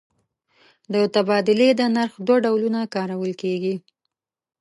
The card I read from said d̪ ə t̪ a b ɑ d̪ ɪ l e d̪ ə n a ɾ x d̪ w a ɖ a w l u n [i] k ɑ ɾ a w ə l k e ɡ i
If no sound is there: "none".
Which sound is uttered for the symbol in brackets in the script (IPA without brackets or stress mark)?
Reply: a